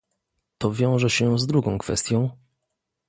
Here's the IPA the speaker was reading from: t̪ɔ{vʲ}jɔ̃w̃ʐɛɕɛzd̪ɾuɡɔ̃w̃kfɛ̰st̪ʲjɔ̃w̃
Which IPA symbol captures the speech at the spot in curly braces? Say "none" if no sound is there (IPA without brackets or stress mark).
vʲ